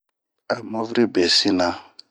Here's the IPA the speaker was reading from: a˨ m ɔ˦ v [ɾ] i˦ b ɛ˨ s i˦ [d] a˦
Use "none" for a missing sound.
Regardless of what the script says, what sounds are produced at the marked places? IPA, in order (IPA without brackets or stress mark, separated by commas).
ɾ, n